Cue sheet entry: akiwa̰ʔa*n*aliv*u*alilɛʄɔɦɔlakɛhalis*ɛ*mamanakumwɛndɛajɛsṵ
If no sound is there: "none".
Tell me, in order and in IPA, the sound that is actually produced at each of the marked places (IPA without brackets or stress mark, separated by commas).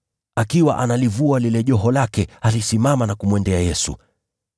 n, u, i